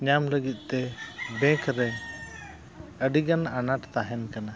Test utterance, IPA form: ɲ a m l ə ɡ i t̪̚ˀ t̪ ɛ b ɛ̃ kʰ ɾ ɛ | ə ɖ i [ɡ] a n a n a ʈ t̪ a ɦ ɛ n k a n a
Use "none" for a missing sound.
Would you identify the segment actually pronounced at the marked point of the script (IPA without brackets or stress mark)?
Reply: ɡ